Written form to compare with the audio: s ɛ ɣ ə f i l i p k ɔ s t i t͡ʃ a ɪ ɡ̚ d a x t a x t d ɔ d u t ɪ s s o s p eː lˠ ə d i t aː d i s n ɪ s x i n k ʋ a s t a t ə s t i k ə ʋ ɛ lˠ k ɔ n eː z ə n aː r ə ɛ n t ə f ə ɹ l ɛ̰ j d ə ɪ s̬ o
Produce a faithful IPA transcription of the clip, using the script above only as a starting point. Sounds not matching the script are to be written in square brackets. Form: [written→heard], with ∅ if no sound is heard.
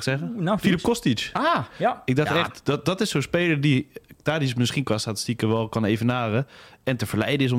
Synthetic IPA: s ɛ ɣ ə f i l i p k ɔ s t i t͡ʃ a ɪ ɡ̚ d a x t [a→ɛ] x t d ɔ d [u→ɔ] t ɪ s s o s p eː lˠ ə d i t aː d i s [n→m] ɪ s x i n k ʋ a s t a t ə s t i k ə ʋ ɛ lˠ k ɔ n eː [z→v] ə n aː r ə ɛ n t ə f ə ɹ l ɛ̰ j d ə ɪ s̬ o